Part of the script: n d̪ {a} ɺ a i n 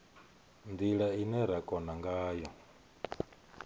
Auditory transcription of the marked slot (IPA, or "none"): i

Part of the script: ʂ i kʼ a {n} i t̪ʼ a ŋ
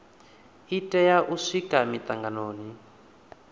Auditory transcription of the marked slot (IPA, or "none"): m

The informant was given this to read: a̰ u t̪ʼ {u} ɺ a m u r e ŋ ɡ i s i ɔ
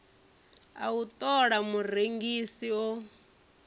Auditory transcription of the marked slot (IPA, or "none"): ɔ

